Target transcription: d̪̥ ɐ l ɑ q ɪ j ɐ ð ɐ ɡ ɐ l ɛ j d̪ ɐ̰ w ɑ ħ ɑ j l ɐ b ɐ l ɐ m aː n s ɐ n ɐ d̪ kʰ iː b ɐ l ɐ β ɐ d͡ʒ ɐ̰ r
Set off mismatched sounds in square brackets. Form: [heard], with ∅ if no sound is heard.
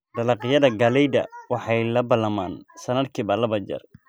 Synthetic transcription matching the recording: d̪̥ ɐ l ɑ q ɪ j ɐ ð ɐ ɡ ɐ l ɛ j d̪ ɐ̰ w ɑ ħ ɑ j l ɐ b ɐ l ɐ m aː n s ɐ n ɐ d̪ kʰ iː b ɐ l ɐ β ɐ d͡ʒ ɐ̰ r

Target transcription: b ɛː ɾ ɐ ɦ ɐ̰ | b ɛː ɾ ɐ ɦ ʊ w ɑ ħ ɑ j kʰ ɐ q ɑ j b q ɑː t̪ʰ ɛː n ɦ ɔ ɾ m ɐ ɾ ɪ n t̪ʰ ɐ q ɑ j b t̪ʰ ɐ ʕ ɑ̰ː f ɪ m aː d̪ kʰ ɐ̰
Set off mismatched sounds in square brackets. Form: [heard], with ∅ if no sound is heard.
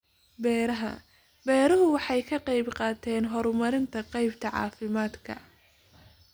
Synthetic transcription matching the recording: b ɛː ɾ ɐ ɦ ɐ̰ | b ɛː ɾ ɐ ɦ ʊ w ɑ ħ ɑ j kʰ ɐ q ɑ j b q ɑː t̪ʰ ɛː n ɦ ɔ ɾ m ɐ ɾ ɪ n t̪ʰ ɐ q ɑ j b t̪ʰ ɐ ʕ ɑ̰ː f ɪ m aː d̪ kʰ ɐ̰

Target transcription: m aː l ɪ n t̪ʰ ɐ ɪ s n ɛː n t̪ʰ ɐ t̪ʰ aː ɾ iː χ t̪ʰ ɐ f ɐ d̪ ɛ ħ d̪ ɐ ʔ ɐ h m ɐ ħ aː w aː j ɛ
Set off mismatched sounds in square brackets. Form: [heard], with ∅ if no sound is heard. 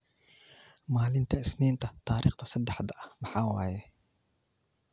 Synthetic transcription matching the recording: m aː l ɪ n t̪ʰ ɐ ɪ s n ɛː n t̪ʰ ɐ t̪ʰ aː ɾ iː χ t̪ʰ ɐ [s] ɐ d̪ ɛ ħ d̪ ɐ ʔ ɐ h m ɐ ħ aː w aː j ɛ

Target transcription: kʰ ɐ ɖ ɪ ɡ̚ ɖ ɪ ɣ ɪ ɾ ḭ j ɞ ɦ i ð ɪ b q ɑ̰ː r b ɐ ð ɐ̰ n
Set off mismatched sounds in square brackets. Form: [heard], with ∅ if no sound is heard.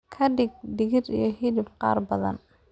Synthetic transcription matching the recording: kʰ ɐ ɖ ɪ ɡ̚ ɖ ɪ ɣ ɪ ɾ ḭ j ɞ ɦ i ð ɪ b q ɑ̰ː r b ɐ ð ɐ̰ n

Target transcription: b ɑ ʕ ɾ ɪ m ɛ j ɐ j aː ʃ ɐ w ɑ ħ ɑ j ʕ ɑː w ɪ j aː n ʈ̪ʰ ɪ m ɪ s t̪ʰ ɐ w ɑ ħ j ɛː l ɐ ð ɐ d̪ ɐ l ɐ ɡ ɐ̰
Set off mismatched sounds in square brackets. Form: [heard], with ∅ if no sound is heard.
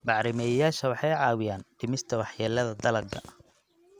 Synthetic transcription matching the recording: b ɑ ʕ ɾ ɪ m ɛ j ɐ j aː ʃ ɐ w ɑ ħ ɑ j ʕ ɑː w ɪ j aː n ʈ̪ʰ ɪ m ɪ s t̪ʰ ɐ w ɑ ħ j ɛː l ɐ ð ɐ d̪ ɐ l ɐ ɡ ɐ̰

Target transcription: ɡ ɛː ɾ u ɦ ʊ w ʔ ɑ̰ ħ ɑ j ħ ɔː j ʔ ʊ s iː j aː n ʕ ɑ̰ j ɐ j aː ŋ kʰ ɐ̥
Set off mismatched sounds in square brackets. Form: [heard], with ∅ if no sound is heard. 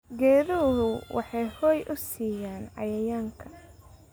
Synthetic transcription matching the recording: ɡ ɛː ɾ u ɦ ʊ w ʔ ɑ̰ ħ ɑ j [h] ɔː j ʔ ʊ s iː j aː n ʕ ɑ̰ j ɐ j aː ŋ kʰ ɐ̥

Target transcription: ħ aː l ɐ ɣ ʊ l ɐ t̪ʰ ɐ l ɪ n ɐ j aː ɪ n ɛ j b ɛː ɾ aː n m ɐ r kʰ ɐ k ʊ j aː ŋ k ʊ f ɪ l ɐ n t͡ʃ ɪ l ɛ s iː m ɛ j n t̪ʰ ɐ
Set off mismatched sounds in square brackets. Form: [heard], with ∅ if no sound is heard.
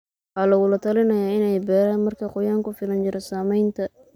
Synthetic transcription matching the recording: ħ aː l ɐ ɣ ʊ l ɐ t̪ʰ ɐ l ɪ n ɐ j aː ɪ n ɛ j b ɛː ɾ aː n m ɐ r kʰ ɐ [q] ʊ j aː ŋ k ʊ f ɪ l ɐ n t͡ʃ ɪ [ɾ] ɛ s [aː] m ɛ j n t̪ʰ ɐ

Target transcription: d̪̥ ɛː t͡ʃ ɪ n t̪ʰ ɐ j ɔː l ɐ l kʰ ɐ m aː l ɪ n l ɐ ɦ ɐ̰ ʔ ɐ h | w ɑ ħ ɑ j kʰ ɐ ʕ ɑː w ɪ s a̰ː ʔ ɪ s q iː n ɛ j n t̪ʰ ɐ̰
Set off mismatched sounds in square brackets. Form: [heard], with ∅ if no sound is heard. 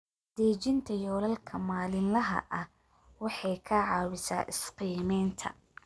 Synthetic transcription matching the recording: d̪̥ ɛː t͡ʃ ɪ n t̪ʰ ɐ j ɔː l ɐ l kʰ ɐ m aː l ɪ n l ɐ ɦ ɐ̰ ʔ ɐ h | w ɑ ħ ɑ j kʰ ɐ ʕ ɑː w ɪ s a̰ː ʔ ɪ s q iː [m] ɛ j n t̪ʰ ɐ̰

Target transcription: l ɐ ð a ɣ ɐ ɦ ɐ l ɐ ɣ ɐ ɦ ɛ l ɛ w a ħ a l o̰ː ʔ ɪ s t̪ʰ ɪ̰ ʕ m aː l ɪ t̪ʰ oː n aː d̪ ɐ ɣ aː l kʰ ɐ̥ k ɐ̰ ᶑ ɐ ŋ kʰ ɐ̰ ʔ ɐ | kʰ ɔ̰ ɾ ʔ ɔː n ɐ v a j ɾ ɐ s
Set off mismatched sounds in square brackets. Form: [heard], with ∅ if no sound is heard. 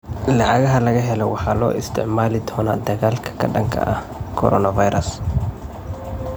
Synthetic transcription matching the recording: l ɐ [ʕ] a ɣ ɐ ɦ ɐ l ɐ ɣ ɐ ɦ ɛ l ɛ w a ħ a l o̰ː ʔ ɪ s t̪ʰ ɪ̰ ʕ m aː l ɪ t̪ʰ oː n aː d̪ ɐ ɣ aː l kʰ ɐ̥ k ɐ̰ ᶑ ɐ ŋ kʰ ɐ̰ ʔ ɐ | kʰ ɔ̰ ɾ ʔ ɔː n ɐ v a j ɾ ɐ s

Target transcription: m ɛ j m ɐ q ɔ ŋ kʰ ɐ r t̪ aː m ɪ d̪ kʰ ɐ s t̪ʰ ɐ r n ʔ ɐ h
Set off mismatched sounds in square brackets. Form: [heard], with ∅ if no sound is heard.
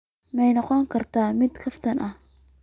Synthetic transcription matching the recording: m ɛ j [n] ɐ q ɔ ŋ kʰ ɐ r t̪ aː m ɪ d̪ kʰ ɐ [f] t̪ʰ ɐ [∅] n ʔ ɐ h

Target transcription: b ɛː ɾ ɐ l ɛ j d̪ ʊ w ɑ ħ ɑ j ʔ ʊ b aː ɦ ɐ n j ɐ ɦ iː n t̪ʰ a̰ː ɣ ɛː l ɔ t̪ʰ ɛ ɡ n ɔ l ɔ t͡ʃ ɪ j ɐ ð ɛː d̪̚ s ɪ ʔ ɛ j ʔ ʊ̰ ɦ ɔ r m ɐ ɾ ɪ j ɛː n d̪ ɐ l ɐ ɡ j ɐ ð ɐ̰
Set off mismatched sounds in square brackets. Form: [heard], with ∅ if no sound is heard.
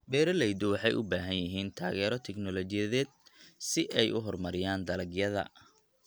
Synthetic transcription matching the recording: b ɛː ɾ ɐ l ɛ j d̪ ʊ w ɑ ħ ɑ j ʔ ʊ b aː ɦ ɐ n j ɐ ɦ iː n t̪ʰ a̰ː ɣ ɛː [ɾ] ɔ t̪ʰ ɛ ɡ n ɔ l ɔ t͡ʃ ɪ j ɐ ð ɛː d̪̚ s ɪ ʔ ɛ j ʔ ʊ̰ ɦ ɔ r m ɐ ɾ ɪ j [aː] n d̪ ɐ l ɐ ɡ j ɐ ð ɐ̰

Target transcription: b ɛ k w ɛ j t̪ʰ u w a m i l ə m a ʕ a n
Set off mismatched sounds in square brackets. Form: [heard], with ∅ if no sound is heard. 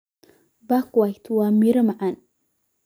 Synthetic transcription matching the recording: b [a] k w [a] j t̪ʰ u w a m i [ɾ] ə m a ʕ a n

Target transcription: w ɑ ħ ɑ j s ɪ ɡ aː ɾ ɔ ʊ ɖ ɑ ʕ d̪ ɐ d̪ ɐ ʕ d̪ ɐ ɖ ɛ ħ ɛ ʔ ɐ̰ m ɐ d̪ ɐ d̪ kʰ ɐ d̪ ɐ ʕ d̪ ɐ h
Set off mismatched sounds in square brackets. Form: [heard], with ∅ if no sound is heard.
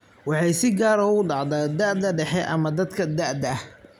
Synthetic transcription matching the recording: w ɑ ħ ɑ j s ɪ ɡ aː ɾ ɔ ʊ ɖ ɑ ʕ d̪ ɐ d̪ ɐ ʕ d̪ ɐ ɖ ɛ ħ ɛ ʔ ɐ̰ m ɐ d̪ ɐ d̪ kʰ ɐ d̪ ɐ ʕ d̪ ɐ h

